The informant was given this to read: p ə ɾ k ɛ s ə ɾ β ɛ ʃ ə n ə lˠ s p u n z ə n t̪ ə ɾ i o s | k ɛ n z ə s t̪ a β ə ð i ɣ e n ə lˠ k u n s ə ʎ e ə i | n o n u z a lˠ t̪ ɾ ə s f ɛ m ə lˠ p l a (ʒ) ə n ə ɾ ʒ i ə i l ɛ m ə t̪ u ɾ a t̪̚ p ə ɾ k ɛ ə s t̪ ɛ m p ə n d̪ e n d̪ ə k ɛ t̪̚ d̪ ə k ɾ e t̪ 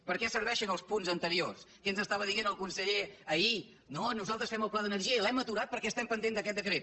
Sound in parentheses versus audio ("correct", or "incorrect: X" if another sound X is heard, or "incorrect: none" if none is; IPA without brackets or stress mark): incorrect: ð